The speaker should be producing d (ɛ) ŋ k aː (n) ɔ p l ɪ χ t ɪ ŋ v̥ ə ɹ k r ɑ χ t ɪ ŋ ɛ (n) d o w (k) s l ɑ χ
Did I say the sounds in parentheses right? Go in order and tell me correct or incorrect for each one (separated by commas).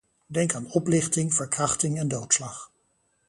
correct, correct, correct, incorrect